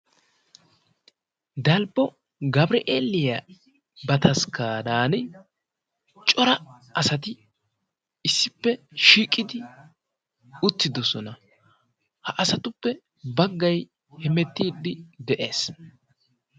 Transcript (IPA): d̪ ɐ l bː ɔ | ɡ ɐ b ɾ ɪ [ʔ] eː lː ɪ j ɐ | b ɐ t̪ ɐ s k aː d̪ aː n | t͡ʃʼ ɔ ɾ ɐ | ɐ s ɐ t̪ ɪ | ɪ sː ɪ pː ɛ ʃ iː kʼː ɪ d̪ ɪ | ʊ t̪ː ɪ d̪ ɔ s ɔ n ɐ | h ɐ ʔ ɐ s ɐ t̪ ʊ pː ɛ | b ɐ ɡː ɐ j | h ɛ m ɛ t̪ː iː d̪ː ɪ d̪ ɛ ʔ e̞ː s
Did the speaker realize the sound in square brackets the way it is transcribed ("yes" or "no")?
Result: yes